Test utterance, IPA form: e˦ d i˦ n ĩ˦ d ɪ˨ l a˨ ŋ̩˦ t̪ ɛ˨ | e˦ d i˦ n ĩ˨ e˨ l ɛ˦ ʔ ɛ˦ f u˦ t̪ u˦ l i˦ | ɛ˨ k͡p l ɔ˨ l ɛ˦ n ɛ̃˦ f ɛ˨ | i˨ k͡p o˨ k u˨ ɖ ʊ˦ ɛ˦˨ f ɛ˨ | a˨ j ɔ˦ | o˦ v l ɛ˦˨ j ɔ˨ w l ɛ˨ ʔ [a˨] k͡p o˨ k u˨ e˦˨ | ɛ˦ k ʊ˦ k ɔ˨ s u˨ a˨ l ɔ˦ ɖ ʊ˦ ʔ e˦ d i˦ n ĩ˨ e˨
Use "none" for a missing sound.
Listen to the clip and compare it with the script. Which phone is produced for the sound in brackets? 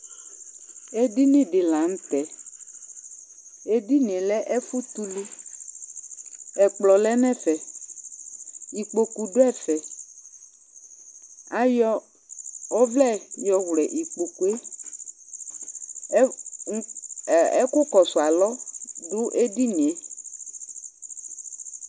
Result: i˨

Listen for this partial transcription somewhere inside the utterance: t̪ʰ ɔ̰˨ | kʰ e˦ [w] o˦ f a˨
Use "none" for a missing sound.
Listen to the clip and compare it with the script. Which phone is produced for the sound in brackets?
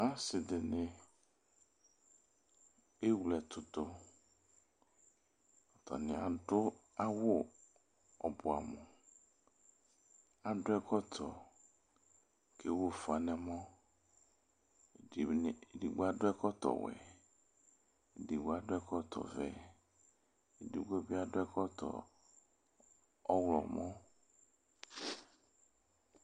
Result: w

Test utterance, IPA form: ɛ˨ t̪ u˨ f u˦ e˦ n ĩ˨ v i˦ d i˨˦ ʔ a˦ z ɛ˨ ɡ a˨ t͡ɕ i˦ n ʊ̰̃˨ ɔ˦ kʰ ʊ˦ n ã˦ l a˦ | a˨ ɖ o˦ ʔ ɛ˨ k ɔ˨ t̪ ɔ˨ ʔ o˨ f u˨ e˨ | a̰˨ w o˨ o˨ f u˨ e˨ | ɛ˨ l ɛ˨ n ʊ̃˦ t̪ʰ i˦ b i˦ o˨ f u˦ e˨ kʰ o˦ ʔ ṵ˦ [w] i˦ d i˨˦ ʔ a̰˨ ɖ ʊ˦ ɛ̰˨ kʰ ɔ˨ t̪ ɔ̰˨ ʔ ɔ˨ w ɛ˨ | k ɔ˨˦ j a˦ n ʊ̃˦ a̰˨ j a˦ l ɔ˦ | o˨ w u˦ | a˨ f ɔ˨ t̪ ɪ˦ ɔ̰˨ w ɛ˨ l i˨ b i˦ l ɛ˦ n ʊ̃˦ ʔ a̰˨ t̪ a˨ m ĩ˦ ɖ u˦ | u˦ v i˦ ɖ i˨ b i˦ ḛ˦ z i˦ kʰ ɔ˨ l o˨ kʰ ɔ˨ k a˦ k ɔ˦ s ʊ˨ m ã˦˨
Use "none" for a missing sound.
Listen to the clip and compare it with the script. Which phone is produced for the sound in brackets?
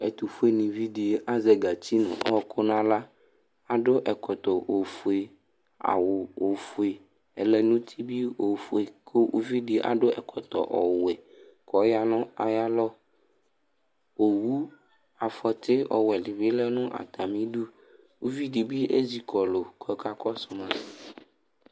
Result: v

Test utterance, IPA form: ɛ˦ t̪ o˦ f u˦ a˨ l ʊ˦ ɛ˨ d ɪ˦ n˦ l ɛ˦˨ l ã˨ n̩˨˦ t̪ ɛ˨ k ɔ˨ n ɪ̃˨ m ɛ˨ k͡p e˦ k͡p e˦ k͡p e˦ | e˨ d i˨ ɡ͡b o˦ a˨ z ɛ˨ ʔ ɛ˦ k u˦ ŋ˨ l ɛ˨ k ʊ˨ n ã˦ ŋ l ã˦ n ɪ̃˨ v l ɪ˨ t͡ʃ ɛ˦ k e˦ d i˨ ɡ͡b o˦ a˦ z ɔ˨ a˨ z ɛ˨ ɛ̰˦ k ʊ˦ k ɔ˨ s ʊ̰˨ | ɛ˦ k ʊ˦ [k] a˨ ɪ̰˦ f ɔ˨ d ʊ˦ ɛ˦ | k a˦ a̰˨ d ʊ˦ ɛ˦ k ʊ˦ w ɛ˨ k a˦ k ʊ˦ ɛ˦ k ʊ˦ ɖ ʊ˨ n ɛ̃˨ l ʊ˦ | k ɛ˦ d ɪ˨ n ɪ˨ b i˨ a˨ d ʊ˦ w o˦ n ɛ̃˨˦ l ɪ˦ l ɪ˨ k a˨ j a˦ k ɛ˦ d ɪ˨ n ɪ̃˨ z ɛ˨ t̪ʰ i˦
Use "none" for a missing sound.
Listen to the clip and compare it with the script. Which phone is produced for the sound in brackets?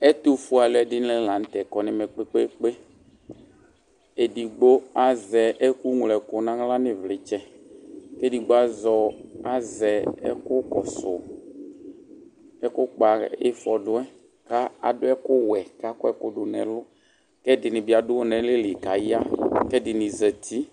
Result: k͡p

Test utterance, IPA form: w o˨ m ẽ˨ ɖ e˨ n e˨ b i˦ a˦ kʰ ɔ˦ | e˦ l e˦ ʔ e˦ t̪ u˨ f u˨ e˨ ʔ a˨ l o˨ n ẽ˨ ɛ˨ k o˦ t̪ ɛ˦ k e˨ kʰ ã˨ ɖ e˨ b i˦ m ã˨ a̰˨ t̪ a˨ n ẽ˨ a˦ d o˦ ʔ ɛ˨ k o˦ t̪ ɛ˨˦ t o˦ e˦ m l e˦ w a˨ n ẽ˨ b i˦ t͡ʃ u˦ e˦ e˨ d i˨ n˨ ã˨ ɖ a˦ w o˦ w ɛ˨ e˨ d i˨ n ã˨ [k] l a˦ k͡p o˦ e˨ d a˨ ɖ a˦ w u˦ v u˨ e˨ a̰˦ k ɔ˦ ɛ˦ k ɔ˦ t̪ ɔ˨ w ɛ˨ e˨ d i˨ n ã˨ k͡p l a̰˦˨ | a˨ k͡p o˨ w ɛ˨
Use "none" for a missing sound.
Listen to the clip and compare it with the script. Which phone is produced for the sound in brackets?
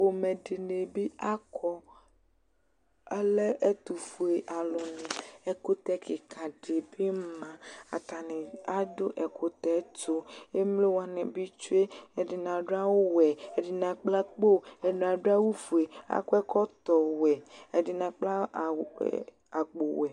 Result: k͡p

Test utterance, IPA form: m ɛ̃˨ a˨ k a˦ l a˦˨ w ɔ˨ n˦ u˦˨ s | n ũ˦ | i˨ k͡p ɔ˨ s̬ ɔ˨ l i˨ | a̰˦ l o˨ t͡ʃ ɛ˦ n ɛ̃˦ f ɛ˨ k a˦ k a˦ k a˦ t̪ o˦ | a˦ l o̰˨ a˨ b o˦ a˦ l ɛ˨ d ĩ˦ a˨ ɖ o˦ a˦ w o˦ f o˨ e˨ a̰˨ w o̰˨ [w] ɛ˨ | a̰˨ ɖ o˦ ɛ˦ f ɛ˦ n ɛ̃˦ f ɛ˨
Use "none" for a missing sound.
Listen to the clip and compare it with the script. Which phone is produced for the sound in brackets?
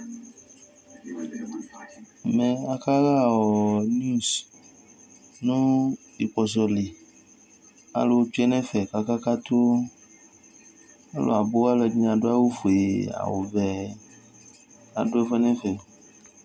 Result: v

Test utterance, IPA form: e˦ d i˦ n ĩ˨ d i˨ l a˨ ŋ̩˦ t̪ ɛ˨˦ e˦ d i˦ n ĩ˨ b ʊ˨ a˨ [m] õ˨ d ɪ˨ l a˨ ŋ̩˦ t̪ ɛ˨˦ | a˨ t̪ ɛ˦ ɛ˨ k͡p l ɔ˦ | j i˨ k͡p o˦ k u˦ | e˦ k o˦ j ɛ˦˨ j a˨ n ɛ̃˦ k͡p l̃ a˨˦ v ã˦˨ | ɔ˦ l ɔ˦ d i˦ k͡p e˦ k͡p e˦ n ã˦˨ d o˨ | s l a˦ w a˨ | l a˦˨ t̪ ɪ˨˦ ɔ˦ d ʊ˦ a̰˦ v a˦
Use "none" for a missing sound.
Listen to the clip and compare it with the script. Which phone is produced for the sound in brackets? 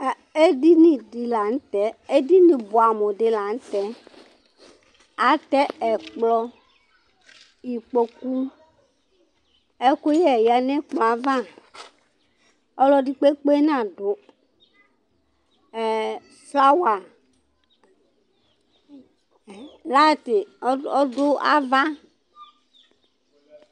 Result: m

